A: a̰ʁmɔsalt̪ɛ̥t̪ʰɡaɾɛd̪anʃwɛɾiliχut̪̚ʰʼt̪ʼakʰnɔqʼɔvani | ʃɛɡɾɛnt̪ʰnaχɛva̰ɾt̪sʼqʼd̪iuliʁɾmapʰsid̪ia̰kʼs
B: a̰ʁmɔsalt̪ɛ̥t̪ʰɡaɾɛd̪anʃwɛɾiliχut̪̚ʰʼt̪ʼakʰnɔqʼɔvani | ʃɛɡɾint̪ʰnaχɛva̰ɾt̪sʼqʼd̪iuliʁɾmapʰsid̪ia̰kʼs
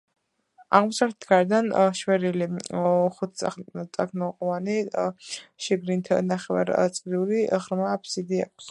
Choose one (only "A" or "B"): B